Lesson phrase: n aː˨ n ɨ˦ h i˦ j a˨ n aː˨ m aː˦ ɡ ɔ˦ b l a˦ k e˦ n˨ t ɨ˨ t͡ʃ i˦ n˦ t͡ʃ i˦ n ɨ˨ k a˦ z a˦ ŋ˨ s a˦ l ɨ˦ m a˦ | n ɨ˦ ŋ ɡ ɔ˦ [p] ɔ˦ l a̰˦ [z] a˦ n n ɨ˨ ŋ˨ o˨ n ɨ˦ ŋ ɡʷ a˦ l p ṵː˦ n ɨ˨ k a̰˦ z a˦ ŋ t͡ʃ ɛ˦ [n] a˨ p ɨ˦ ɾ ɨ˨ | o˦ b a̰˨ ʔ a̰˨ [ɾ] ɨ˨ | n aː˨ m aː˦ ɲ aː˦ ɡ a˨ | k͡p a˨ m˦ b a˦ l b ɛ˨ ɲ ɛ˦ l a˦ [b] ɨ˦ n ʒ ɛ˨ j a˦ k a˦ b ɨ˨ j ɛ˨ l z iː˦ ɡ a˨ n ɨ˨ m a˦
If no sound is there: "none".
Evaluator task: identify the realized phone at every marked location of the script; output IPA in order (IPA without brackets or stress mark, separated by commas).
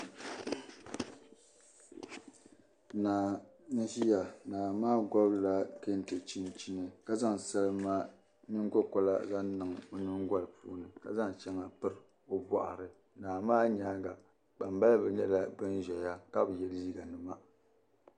k, z, ŋ, ɾ, b